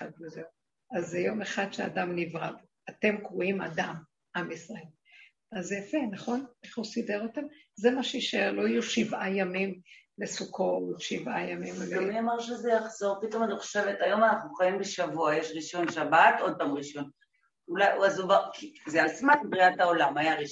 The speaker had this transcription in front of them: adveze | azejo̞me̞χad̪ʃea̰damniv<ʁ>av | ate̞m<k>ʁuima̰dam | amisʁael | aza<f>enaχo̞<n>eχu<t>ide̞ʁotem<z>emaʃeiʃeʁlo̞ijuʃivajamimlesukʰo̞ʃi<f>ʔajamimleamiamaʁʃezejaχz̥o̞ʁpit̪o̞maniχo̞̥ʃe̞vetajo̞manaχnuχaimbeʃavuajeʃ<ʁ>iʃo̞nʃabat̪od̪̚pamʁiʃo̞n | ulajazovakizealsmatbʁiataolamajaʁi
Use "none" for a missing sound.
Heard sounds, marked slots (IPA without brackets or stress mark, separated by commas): ʁ, k, f, n, s, z, v, ʁ